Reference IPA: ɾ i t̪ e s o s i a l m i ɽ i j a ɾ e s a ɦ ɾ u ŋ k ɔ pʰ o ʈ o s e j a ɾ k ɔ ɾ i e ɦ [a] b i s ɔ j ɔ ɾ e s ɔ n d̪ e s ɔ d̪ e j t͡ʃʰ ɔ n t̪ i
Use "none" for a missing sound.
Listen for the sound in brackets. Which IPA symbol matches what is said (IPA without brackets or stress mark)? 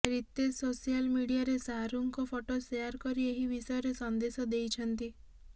i